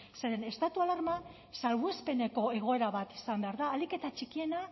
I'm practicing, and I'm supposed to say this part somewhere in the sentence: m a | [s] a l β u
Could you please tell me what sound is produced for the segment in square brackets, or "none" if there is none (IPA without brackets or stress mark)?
s